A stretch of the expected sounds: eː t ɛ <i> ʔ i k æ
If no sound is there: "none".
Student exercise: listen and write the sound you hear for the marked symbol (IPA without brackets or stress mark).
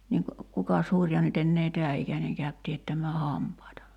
æ